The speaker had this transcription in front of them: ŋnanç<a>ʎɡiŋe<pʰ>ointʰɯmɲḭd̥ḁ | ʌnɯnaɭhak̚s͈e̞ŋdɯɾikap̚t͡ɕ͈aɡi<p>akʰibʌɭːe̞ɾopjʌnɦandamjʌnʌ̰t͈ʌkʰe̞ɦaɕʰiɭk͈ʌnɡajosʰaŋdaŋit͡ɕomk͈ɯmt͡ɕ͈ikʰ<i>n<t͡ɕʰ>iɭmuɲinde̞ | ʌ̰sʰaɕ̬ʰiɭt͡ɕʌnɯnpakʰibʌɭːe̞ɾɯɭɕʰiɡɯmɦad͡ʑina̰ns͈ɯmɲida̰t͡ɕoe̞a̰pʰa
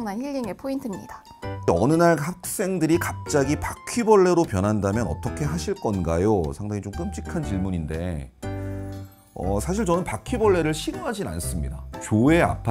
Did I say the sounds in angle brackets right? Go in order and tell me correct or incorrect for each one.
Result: incorrect, correct, correct, incorrect, incorrect

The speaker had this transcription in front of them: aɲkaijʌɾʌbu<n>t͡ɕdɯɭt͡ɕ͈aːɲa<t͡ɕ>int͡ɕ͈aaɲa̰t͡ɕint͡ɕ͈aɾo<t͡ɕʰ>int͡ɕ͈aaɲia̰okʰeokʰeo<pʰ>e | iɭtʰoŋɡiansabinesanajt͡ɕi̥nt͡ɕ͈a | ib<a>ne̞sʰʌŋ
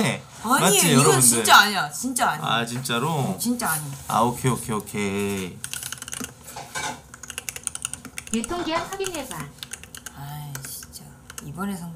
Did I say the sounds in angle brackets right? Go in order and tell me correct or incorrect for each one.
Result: correct, correct, incorrect, incorrect, incorrect

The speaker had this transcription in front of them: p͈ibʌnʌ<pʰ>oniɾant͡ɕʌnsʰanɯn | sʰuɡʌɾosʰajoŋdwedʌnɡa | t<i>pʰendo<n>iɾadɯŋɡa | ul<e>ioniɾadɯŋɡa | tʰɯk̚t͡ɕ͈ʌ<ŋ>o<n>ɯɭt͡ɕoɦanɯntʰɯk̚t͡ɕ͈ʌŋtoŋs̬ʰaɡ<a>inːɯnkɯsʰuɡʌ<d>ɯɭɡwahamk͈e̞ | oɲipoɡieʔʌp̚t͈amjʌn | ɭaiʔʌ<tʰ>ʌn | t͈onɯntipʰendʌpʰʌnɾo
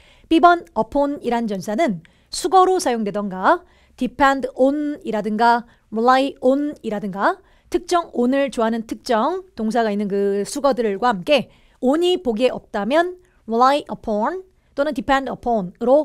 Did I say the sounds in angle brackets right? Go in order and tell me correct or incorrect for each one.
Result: correct, correct, correct, incorrect, correct, correct, correct, correct, incorrect

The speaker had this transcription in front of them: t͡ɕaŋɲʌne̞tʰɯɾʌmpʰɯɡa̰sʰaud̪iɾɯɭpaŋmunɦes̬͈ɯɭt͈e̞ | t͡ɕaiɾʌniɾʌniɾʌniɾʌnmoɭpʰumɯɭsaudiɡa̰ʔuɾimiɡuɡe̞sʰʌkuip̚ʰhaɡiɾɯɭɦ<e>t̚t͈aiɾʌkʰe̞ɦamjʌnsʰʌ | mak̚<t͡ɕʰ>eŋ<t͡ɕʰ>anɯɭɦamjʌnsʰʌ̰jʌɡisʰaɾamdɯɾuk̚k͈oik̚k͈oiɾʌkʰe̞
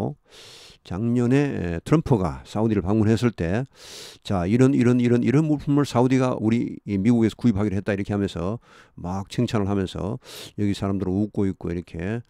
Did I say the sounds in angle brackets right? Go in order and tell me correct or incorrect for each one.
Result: correct, correct, correct

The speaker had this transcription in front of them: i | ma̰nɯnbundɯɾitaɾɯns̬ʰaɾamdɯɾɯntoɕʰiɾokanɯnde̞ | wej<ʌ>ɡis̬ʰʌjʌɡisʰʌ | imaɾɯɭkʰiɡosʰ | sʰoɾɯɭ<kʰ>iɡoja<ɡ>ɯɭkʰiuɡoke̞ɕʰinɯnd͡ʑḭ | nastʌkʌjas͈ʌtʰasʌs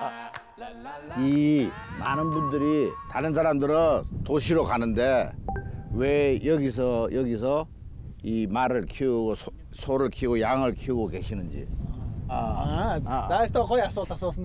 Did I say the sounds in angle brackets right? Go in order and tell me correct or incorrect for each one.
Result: correct, correct, incorrect

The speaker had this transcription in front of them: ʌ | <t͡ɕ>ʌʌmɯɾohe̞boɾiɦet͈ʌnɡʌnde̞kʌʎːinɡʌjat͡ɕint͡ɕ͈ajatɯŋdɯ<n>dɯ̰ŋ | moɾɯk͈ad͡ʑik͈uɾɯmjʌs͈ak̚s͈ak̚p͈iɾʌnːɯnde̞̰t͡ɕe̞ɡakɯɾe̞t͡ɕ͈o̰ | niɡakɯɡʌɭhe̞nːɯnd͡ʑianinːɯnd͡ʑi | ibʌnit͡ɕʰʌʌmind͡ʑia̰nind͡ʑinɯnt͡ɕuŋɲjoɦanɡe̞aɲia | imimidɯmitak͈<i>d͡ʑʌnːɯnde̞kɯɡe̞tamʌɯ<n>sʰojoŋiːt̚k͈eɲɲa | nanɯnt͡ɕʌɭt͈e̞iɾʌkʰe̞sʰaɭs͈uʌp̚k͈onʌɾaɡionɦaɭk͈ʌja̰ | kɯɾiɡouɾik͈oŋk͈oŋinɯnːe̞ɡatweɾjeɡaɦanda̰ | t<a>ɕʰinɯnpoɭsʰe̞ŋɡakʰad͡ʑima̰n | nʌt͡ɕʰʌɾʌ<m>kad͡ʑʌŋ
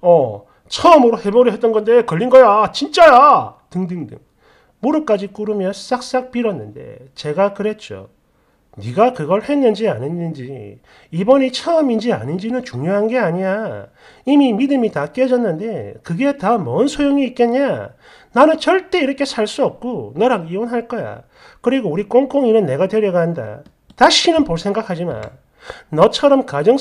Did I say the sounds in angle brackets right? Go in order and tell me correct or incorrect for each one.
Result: incorrect, incorrect, incorrect, correct, correct, correct

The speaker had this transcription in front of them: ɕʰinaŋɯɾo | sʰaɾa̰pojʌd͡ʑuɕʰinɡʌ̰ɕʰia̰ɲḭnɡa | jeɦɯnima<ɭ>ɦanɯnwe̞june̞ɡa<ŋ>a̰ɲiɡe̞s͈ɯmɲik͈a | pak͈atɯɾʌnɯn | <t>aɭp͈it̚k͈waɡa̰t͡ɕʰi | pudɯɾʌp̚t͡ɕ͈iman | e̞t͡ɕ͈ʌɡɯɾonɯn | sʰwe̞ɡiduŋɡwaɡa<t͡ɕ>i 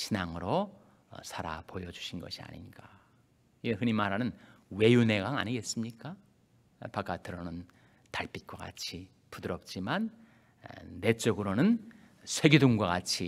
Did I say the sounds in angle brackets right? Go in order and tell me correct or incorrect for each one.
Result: incorrect, correct, correct, incorrect

